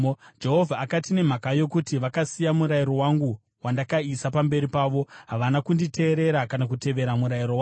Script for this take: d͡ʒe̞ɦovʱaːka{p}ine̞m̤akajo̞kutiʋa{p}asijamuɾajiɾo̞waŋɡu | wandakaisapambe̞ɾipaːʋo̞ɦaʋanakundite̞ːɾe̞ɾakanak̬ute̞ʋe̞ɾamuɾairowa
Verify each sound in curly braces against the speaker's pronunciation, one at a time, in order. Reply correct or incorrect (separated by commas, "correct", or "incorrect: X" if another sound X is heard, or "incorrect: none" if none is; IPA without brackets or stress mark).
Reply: incorrect: t, incorrect: k